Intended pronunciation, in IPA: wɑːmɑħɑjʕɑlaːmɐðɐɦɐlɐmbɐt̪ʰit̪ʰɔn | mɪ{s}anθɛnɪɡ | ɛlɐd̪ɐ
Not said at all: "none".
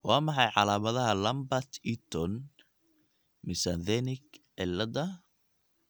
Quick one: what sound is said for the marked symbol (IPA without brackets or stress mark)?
s